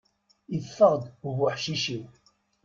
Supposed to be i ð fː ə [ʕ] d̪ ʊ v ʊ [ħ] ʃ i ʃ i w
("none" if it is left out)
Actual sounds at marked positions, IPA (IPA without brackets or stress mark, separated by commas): ʁ, ħ